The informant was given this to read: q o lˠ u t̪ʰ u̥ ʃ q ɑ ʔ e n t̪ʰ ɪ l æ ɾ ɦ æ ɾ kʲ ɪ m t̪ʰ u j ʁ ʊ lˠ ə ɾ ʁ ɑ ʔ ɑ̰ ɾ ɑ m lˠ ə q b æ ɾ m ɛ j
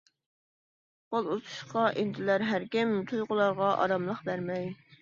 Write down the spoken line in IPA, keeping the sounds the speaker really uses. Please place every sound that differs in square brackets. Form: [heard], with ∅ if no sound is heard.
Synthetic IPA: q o lˠ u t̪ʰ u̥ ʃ q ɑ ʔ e n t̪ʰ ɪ l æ ɾ ɦ æ ɾ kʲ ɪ m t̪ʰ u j ʁ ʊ lˠ [ɑ] ɾ ʁ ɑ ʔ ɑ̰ ɾ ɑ m lˠ ə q b æ ɾ m ɛ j